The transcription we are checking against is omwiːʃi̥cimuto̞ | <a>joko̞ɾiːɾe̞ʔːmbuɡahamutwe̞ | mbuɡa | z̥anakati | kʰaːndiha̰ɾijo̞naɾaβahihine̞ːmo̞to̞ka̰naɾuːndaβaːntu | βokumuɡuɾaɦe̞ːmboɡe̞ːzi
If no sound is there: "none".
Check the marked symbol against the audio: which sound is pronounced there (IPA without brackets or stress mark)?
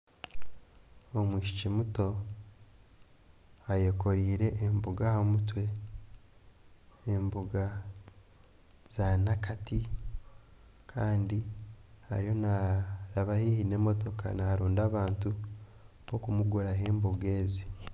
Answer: a